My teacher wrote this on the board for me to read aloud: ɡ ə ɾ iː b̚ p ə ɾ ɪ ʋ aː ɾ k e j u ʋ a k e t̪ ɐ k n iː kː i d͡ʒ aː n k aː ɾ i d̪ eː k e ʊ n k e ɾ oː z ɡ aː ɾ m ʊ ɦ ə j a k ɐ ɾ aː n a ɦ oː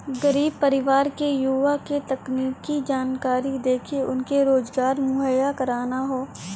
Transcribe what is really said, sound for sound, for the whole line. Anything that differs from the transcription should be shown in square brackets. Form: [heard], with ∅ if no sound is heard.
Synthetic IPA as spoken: ɡ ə ɾ iː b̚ p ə ɾ ɪ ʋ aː ɾ k e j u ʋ a k e t̪ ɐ k n iː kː i d͡ʒ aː n k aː ɾ i d̪ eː [kʰ] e ʊ n k e ɾ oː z ɡ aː ɾ m ʊ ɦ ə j a k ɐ ɾ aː n a ɦ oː

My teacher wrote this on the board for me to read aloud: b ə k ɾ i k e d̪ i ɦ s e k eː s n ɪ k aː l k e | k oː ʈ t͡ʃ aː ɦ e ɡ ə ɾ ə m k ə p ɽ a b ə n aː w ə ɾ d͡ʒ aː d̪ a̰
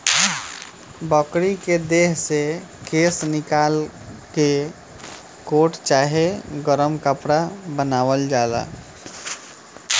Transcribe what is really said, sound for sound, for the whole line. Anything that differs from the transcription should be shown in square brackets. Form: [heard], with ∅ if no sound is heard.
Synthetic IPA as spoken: b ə k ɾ i k e d̪ [e] ɦ s e k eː s n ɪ k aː l k e | k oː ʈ t͡ʃ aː ɦ e ɡ ə ɾ ə m k ə p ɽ a b ə n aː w ə [l] d͡ʒ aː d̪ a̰

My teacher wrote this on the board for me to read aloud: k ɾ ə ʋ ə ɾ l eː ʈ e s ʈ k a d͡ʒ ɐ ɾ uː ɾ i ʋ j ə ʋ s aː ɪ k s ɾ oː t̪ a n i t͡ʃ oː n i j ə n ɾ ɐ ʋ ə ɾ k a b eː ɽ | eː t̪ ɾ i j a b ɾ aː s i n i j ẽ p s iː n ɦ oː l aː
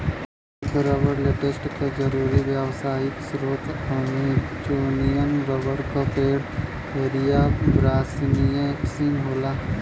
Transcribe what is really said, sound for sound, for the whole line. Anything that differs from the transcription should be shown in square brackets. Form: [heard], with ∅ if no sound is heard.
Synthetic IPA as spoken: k ɾ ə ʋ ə ɾ l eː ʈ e s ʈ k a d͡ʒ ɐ ɾ uː ɾ i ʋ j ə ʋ s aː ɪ k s ɾ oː t̪ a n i t͡ʃ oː n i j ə n ɾ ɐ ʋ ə ɾ k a [p] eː ɽ | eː [∅] ɾ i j a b ɾ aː s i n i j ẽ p s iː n ɦ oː l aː

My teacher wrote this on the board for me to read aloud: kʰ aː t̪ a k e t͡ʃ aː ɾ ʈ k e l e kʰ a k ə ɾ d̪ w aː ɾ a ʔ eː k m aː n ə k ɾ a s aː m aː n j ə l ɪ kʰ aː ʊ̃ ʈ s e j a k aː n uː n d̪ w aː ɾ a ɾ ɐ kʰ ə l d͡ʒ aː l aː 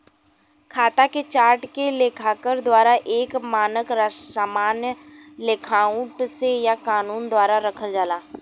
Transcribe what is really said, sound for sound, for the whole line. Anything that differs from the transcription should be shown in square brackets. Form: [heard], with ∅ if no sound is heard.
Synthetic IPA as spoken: kʰ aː t̪ a k e t͡ʃ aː ɾ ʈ k e l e kʰ a k ə ɾ d̪ w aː ɾ a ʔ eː k m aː n ə k ɾ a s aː m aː n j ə l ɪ kʰ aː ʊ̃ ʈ s e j a k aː n uː n d̪ w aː ɾ a ɾ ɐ kʰ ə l d͡ʒ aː l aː

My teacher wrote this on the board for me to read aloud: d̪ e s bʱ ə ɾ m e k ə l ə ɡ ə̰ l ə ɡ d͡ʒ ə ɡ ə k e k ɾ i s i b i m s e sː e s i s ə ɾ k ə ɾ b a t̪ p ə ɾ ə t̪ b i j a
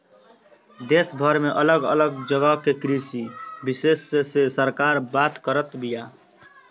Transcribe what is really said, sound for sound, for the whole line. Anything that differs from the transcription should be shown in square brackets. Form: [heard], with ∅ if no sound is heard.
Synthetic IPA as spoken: d̪ e s bʱ ə ɾ m e [ʔ] ə l ə ɡ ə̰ l ə ɡ d͡ʒ ə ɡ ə k e k ɾ i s i b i [∅] s e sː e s [e] s ə ɾ k [a] ɾ b a t̪ [k] ə ɾ ə t̪ b i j a

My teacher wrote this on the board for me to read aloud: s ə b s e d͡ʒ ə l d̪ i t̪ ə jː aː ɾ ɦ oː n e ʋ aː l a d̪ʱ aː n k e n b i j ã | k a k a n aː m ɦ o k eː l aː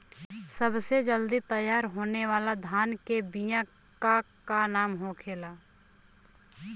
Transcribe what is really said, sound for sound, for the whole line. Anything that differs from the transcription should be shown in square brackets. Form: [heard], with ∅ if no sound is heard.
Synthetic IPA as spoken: s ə b s e d͡ʒ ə l d̪ i t̪ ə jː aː ɾ ɦ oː n e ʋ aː l a d̪ʱ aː n k e [∅] b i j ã | k a k a n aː m ɦ o [kʰ] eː l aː

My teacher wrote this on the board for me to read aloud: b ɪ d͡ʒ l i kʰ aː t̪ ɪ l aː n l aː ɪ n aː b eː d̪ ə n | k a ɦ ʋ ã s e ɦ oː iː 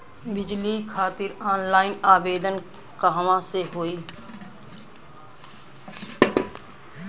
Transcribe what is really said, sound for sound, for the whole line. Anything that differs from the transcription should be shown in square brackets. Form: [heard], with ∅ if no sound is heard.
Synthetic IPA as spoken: b ɪ d͡ʒ l i kʰ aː t̪ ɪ [ɾ] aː n l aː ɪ n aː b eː d̪ ə n | k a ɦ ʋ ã s e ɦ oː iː

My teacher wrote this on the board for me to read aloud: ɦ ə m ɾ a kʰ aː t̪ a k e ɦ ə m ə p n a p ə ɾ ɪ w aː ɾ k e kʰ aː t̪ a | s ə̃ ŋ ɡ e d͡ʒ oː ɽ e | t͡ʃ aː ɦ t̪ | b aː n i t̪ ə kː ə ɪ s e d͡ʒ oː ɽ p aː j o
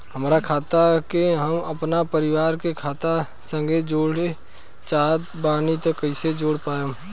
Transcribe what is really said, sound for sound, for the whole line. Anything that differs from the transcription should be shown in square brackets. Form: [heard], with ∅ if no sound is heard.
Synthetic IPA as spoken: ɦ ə m ɾ a kʰ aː t̪ a k e ɦ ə m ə p n a p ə ɾ ɪ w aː ɾ k e kʰ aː t̪ a | s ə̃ ŋ ɡ e d͡ʒ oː ɽ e | t͡ʃ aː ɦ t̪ | b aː n i t̪ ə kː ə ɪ s e d͡ʒ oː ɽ p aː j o

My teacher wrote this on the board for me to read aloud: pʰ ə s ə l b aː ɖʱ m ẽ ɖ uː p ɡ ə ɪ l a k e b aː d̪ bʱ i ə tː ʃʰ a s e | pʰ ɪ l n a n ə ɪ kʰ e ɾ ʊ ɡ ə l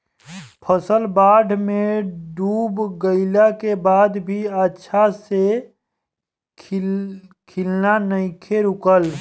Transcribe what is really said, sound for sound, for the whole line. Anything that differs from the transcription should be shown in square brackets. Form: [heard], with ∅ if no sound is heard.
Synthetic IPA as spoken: pʰ ə s ə l b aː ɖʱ m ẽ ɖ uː [b] ɡ ə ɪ l a k e b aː d̪ bʱ i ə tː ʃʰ a s e | [kʰ] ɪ l n a n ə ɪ kʰ e ɾ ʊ [k] ə l

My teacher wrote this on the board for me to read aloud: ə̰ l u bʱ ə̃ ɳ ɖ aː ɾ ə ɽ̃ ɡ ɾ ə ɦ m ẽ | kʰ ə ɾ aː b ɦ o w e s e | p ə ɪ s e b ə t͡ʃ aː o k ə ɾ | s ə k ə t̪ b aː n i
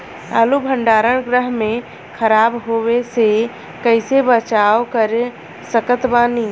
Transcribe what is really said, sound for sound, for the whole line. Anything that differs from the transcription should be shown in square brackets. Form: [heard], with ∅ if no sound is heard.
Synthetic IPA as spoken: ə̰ l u bʱ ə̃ ɳ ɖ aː ɾ ə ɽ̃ ɡ ɾ ə ɦ m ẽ | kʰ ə ɾ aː b ɦ o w e s e | [k] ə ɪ s e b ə t͡ʃ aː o k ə ɾ | s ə k ə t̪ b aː n i

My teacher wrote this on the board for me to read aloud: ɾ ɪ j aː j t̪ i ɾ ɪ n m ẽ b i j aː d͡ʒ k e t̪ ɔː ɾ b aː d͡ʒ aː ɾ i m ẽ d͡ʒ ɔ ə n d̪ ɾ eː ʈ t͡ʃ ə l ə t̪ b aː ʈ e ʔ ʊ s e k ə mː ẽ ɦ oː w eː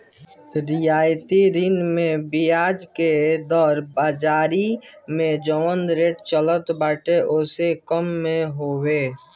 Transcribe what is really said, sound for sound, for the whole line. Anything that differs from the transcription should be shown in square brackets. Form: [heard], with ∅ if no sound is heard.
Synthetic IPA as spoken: ɾ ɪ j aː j t̪ i ɾ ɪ n m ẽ b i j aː d͡ʒ k e [d̪] ɔː ɾ b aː d͡ʒ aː ɾ i m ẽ d͡ʒ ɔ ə n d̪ ɾ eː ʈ t͡ʃ ə l ə t̪ b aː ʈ e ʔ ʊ s e k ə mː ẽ ɦ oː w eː

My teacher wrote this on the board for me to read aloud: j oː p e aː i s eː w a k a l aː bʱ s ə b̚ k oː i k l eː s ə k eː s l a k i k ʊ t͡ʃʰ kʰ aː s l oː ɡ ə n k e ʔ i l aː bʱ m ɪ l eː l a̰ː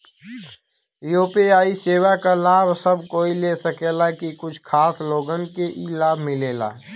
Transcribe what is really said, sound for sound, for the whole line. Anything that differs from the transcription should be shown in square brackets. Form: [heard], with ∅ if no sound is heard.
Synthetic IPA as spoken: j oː p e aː i s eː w a k a l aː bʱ s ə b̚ k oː i [∅] l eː s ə k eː [∅] l a k i k ʊ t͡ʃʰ kʰ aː s l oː ɡ ə n k e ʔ i l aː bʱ m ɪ l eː l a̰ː

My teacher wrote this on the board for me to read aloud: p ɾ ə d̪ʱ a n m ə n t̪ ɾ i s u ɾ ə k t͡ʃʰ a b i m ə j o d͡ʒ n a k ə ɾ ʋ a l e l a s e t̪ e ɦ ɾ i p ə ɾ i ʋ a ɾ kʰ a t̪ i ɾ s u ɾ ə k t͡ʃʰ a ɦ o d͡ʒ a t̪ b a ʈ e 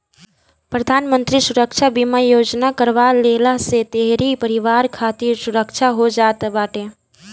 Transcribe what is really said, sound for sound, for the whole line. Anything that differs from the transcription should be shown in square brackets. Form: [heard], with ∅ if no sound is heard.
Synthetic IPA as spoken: p ɾ ə d̪ʱ a n m ə n t̪ ɾ i s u ɾ ə k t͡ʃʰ a b i m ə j o d͡ʒ n a k ə ɾ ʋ a l e l a s e t̪ e ɦ ɾ i p ə ɾ i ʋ a ɾ kʰ a t̪ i ɾ s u ɾ ə k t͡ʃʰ a ɦ o d͡ʒ a t̪ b a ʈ e

